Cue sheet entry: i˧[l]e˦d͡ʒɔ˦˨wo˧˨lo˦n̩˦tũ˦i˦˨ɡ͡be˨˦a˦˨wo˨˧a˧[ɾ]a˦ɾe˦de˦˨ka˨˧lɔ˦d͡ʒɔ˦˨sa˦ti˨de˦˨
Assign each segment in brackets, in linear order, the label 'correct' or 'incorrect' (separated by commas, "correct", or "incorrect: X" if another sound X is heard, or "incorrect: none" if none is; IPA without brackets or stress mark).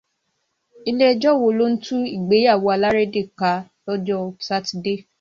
correct, incorrect: l